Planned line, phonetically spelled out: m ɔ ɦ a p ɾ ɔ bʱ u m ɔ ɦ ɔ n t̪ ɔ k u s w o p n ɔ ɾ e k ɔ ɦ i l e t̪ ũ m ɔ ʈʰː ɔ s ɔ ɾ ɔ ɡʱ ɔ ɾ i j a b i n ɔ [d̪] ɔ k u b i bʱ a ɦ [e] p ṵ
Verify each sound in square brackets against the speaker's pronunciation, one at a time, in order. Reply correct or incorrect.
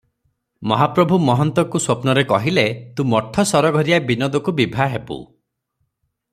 correct, correct

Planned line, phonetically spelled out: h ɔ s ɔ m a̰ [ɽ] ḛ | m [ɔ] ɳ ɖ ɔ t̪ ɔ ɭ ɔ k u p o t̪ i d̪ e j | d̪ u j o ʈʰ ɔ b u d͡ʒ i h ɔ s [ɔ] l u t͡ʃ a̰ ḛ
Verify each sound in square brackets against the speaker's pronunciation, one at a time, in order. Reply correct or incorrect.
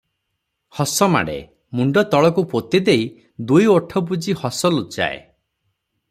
correct, incorrect: u, correct

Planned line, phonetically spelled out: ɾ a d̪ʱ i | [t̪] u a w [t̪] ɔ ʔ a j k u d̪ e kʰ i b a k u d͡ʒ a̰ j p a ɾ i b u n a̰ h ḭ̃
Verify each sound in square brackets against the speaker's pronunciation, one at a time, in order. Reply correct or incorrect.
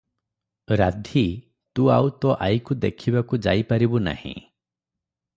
correct, correct

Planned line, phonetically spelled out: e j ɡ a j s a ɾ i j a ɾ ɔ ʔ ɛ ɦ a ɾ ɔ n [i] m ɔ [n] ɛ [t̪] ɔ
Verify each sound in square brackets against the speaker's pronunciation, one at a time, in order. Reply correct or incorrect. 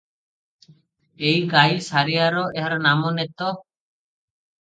incorrect: a, correct, correct

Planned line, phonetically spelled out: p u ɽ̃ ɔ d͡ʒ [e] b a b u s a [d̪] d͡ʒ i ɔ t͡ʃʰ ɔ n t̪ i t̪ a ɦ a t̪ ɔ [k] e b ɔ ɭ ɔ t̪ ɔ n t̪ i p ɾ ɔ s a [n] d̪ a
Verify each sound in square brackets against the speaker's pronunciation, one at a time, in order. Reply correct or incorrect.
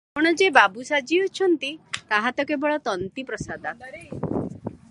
correct, incorrect: none, correct, incorrect: none

